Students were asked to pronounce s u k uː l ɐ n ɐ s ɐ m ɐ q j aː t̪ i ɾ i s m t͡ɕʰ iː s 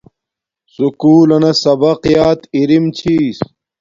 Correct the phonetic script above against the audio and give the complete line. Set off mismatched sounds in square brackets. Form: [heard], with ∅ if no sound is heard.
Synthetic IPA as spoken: s u k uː l ɐ n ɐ s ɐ [b] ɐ q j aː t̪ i ɾ i [∅] m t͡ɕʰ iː s

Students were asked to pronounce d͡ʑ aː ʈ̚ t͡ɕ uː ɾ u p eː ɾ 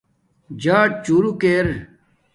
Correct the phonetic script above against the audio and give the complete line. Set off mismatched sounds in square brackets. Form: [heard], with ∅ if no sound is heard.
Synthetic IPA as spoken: d͡ʑ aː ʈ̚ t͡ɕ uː ɾ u [k] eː ɾ

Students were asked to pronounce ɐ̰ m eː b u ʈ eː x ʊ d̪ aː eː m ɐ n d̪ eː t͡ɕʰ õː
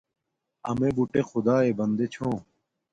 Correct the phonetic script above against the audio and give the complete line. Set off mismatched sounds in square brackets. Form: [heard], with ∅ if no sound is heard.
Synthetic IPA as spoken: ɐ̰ m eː b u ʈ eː x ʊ d̪ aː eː [b] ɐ n d̪ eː t͡ɕʰ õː

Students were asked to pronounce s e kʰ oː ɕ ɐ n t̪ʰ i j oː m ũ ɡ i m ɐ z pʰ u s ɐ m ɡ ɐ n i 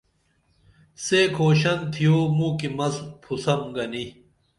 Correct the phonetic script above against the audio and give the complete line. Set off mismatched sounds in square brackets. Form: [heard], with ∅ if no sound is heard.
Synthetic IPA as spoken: s e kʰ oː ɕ ɐ n t̪ʰ i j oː m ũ [k] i m ɐ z pʰ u s ɐ m ɡ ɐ n i

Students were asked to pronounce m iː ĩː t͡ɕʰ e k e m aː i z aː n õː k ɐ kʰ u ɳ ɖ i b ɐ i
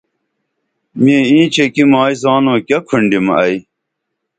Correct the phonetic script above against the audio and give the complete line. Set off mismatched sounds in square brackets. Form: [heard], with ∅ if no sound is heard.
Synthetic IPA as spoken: m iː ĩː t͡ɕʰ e k [i] m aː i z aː n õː k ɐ kʰ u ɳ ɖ i [m] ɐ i

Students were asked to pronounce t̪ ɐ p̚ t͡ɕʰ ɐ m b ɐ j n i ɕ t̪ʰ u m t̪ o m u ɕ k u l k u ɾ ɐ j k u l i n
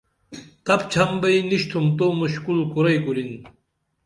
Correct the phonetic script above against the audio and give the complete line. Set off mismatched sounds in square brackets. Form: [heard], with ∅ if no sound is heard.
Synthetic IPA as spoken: t̪ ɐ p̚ t͡ɕʰ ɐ m b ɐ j n i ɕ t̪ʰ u m t̪ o m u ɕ k u l k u ɾ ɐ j k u l i n

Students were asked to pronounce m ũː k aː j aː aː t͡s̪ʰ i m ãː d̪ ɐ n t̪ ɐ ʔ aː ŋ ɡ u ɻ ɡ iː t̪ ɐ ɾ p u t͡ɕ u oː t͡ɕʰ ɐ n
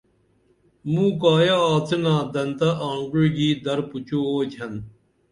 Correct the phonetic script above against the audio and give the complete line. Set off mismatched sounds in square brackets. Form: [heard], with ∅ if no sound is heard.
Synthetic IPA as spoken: m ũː k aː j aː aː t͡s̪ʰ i [n] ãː d̪ ɐ n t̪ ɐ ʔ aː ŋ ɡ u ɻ ɡ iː [d̪] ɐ ɾ p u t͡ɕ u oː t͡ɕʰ ɐ n

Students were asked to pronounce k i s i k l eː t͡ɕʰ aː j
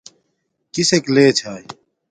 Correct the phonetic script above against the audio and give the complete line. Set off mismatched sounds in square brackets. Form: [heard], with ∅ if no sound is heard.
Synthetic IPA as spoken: k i s [e] k l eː t͡ɕʰ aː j

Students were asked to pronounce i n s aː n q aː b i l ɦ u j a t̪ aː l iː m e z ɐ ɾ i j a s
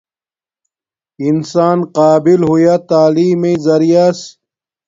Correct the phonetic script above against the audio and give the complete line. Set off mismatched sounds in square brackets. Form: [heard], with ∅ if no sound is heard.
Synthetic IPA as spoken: i n s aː n q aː b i l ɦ u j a t̪ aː l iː m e z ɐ ɾ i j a s

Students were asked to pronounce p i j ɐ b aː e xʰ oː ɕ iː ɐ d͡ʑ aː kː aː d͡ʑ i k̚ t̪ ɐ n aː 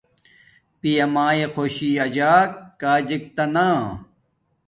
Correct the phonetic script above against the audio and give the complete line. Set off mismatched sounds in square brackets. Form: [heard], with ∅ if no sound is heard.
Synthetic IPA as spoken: p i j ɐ [m] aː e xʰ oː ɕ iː ɐ d͡ʑ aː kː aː d͡ʑ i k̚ t̪ ɐ n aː

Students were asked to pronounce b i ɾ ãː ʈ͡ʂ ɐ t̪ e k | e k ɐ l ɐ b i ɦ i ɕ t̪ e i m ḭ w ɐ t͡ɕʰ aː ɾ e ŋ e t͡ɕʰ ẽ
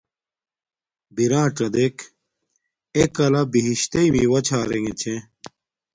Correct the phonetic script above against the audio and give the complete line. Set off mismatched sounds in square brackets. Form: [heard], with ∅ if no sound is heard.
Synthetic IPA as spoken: b i ɾ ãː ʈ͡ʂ ɐ [d̪] e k | e k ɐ l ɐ b i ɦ i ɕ t̪ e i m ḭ w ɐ t͡ɕʰ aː ɾ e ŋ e t͡ɕʰ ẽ

